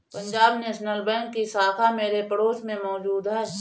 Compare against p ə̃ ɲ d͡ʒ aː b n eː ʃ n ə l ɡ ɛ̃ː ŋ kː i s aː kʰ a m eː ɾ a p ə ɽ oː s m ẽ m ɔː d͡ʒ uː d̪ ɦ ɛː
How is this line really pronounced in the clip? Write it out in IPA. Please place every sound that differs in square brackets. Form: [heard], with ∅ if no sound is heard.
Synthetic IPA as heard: p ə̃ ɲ d͡ʒ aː b n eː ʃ n ə l [b] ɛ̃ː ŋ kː i s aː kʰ a m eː ɾ [e] p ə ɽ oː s m ẽ m ɔː d͡ʒ uː d̪ ɦ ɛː